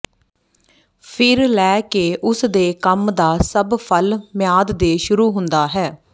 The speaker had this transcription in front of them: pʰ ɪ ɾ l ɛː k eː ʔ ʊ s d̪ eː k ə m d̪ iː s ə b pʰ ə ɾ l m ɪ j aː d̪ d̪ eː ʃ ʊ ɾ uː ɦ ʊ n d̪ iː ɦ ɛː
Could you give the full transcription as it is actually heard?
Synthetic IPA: pʰ ɪ ɾ l ɛː k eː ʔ ʊ s d̪ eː k ə m d̪ aː s ə b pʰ ə l m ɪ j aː d̪ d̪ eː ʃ ʊ ɾ uː ɦ ʊ n d̪ aː ɦ ɛː